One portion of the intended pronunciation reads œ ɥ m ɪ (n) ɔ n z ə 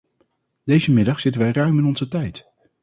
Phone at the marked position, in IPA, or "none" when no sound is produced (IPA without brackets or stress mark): n